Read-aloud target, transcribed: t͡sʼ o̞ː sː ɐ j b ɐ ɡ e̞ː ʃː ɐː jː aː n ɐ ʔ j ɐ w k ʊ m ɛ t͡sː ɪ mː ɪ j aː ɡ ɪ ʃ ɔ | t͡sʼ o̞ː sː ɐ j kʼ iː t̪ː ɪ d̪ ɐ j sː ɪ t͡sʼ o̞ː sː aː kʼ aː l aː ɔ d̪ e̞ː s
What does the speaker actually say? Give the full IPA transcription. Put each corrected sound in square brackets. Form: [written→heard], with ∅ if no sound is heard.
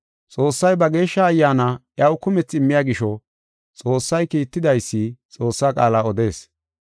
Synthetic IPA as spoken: t͡sʼ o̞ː sː ɐ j b ɐ ɡ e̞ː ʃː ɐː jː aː n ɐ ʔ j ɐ w k ʊ m ɛ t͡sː ɪ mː ɪ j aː ɡ ɪ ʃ ɔ | t͡sʼ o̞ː sː ɐ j [kʼ→k] iː t̪ː ɪ d̪ ɐ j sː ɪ t͡sʼ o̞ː sː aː kʼ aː l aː ɔ d̪ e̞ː s

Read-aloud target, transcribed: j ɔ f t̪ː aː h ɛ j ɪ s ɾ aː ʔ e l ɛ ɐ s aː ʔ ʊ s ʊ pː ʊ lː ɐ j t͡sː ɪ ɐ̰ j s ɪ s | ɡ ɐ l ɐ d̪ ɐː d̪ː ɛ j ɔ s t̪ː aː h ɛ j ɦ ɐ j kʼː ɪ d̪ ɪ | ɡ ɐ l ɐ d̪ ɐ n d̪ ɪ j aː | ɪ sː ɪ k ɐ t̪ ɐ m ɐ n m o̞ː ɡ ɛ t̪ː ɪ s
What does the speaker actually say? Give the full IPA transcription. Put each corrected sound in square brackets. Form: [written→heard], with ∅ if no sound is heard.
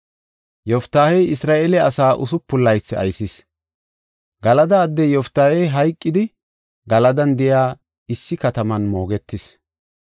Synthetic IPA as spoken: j ɔ f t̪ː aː h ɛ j ɪ s ɾ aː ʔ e l ɛ ɐ s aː ʔ ʊ s ʊ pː ʊ lː ɐ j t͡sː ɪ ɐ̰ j s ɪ s | ɡ ɐ l ɐ d̪ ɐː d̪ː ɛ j ɔ [s→f] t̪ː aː h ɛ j ɦ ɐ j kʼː ɪ d̪ ɪ | ɡ ɐ l ɐ d̪ ɐ n d̪ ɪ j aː | ɪ sː ɪ k ɐ t̪ ɐ m ɐ n m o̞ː ɡ ɛ t̪ː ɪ s

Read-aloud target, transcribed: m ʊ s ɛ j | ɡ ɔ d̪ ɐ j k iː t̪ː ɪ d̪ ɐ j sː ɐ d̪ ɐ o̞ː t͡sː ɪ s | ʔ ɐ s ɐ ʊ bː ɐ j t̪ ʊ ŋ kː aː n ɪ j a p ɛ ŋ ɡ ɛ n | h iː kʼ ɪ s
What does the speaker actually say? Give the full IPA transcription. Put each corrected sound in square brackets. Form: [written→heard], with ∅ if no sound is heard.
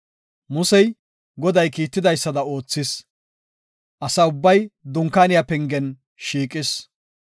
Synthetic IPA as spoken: m ʊ s ɛ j | ɡ ɔ d̪ ɐ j k iː t̪ː ɪ d̪ ɐ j sː ɐ d̪ ɐ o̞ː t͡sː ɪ s | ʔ ɐ s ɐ ʊ bː ɐ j [t̪→d̪] ʊ ŋ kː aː n ɪ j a p ɛ ŋ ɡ ɛ n | [h→ʃ] iː kʼ ɪ s

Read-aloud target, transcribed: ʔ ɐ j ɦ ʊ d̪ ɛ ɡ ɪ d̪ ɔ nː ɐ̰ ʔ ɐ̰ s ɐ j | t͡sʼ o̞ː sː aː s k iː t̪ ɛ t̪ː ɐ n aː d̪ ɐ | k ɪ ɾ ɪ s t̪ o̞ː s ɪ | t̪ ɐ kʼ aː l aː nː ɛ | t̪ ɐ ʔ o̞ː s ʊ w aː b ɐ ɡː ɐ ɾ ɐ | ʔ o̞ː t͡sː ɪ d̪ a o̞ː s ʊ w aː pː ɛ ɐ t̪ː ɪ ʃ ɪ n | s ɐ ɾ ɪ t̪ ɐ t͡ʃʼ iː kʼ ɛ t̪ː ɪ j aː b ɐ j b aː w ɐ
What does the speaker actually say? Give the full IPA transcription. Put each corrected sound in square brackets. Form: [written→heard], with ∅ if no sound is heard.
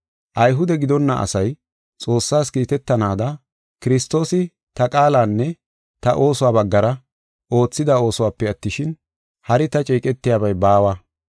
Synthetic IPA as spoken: ʔ ɐ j ɦ ʊ d̪ ɛ ɡ ɪ d̪ ɔ nː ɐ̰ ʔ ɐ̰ s ɐ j | t͡sʼ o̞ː sː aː s k iː t̪ ɛ t̪ː ɐ n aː d̪ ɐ | k ɪ ɾ ɪ s t̪ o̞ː s ɪ | t̪ ɐ kʼ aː l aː nː ɛ | t̪ ɐ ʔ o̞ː s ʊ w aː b ɐ ɡː ɐ ɾ ɐ | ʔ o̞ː t͡sː ɪ d̪ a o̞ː s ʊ w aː pː ɛ ɐ t̪ː ɪ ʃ ɪ n | [s→h] ɐ ɾ ɪ t̪ ɐ t͡ʃʼ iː kʼ ɛ t̪ː ɪ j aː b ɐ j b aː w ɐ

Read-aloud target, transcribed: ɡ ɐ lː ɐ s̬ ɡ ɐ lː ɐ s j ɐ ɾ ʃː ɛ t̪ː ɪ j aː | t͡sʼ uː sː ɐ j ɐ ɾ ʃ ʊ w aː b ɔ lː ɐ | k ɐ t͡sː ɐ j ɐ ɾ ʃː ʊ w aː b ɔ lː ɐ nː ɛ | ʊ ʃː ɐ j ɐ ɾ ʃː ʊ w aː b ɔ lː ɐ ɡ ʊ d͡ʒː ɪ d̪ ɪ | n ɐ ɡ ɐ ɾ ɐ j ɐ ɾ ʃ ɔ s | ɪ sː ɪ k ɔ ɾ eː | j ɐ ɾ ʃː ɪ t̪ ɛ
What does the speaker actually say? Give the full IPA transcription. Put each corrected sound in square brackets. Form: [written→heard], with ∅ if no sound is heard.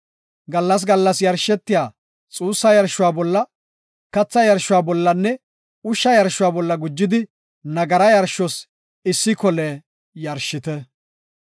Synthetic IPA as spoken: ɡ ɐ lː ɐ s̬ ɡ ɐ lː ɐ s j ɐ ɾ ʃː ɛ t̪ː ɪ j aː | t͡sʼ uː sː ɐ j ɐ ɾ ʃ ʊ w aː b ɔ lː ɐ | k ɐ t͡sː ɐ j ɐ ɾ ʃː ʊ w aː b ɔ lː ɐ nː ɛ | ʊ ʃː ɐ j ɐ ɾ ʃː ʊ w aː b ɔ lː ɐ ɡ ʊ d͡ʒː ɪ d̪ ɪ | n ɐ ɡ ɐ ɾ ɐ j ɐ ɾ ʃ ɔ s | ɪ sː ɪ k ɔ [ɾ→l] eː | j ɐ ɾ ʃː ɪ t̪ ɛ

